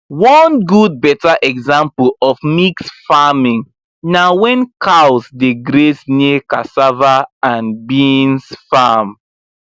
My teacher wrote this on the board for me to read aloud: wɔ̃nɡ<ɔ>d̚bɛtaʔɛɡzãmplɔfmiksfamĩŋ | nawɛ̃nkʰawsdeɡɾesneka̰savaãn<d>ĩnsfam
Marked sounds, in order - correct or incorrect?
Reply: incorrect: u, incorrect: b

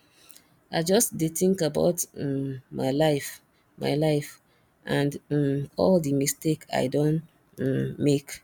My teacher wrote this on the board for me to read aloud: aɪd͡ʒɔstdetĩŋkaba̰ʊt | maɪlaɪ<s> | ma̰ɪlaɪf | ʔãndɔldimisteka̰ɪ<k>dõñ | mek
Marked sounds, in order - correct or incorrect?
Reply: incorrect: f, incorrect: none

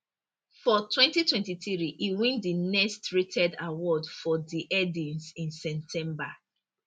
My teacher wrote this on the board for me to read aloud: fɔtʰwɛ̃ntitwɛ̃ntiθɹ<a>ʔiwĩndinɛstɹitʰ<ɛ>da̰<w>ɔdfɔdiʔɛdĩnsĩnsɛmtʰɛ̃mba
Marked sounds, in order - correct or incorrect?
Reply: incorrect: i, correct, correct

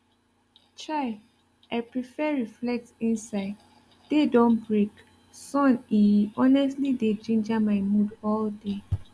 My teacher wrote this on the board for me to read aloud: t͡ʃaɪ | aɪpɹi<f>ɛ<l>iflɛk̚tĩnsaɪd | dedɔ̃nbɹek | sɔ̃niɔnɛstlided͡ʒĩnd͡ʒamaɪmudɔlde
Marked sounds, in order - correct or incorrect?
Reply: correct, incorrect: ɹ

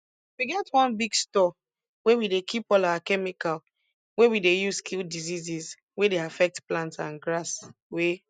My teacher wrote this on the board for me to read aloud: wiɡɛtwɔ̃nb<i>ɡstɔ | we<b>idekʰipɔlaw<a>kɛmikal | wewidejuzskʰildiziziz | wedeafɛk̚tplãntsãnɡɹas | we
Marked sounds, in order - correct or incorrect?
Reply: correct, incorrect: w, correct

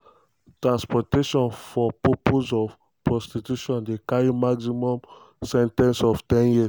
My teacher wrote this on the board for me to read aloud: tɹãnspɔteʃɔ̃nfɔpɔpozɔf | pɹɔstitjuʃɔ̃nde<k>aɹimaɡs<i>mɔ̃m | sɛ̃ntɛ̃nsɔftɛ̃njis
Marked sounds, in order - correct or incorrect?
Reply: correct, correct

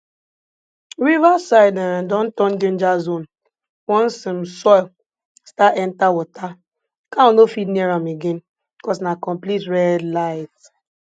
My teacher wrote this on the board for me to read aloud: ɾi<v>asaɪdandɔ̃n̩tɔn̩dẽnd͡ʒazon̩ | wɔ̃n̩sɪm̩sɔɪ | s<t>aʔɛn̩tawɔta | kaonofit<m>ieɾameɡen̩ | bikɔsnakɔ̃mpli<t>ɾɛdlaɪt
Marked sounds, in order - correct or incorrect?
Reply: correct, correct, incorrect: n, correct

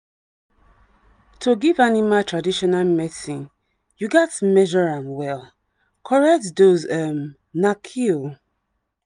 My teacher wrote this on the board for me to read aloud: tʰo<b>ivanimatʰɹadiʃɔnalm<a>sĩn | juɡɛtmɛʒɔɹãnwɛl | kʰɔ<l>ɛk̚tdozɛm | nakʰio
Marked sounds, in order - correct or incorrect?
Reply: incorrect: ɡ, incorrect: ɛ, incorrect: ɹ

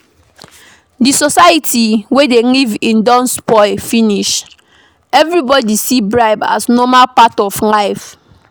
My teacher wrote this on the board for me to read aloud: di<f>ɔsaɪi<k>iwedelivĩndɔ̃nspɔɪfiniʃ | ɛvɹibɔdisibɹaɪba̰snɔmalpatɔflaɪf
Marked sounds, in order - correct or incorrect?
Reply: incorrect: s, incorrect: t

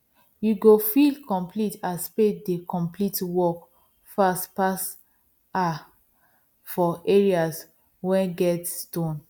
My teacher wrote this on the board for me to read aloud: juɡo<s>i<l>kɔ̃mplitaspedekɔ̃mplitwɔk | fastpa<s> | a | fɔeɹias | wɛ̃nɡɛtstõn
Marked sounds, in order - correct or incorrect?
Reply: incorrect: f, correct, correct

